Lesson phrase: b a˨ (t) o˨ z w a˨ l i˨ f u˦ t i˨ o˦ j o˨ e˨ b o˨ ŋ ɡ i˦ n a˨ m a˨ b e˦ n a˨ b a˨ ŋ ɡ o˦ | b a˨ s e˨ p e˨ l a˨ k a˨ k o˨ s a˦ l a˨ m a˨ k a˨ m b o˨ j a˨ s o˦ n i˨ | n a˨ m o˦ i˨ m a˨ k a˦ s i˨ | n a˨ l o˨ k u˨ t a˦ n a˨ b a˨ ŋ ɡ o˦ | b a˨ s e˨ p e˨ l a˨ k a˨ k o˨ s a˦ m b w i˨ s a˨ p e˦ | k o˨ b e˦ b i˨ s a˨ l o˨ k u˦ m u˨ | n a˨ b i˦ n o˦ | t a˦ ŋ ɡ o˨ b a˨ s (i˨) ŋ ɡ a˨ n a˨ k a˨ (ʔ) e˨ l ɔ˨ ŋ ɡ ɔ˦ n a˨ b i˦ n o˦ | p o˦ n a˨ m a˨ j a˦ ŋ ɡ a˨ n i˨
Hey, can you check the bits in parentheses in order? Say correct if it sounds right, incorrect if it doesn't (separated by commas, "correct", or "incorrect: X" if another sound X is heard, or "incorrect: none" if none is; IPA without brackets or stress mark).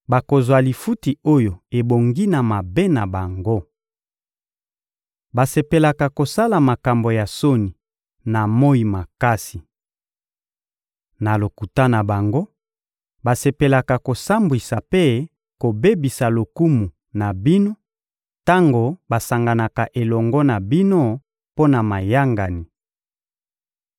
incorrect: k, incorrect: a˨, correct